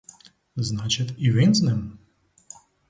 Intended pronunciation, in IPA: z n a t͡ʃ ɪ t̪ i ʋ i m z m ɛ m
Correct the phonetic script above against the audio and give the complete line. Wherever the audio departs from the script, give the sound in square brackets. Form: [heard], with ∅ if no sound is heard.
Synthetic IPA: z n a t͡ʃ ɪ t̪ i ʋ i [n] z [n] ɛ m